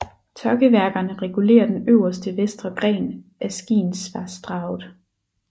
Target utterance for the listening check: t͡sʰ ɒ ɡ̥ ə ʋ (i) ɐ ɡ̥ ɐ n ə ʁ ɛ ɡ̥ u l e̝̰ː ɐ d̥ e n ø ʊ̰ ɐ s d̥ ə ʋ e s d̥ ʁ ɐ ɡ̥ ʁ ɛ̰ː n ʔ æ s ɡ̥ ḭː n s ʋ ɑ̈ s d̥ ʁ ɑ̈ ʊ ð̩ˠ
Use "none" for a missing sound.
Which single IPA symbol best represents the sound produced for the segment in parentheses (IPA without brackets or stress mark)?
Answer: æ